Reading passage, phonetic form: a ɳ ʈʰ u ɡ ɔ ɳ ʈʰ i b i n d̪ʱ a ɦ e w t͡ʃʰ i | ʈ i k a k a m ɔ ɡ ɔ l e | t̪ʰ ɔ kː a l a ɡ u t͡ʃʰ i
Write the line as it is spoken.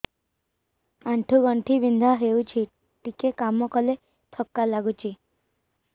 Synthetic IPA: a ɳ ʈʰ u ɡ ɔ ɳ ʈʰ i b i n d̪ʱ a ɦ e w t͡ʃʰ i | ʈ i k e k a m ɔ k ɔ l e | t̪ʰ ɔ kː a l a ɡ u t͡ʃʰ i